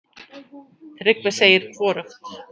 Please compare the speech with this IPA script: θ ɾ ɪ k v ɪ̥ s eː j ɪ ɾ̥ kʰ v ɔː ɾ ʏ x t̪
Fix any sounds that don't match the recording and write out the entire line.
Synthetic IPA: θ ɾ ɪ k v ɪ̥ s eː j ɪ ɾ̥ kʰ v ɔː ɾ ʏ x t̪